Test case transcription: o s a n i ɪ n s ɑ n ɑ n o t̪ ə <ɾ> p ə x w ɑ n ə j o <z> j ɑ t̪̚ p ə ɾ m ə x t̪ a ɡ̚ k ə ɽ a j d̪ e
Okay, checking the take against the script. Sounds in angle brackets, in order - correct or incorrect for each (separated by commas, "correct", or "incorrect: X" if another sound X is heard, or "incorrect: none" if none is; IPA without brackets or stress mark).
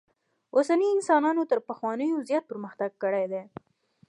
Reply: correct, correct